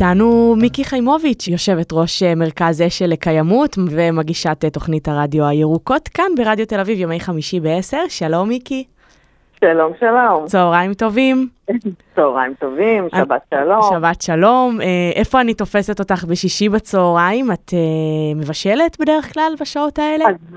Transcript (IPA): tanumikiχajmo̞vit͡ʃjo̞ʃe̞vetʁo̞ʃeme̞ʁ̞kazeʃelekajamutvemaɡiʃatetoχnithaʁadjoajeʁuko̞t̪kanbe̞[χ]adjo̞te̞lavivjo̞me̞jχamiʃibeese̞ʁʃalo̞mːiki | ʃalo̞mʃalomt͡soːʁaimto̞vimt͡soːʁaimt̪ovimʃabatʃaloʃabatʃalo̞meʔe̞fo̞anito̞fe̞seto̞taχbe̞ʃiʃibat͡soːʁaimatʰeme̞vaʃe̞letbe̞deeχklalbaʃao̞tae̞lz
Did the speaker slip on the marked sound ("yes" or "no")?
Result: yes